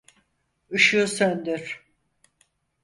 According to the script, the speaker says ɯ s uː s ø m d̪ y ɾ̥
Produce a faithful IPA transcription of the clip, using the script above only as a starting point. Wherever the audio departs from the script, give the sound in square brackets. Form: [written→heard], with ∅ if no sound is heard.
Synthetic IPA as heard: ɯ [s→ʃ] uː s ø [m→n] d̪ y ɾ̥